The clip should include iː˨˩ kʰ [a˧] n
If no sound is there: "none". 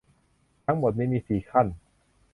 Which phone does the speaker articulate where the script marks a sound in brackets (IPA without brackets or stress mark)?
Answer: a˥˩